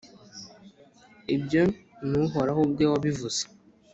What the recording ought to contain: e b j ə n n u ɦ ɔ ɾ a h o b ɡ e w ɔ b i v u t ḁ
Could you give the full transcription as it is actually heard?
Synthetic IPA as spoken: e b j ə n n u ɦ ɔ ɾ a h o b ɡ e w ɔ b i v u s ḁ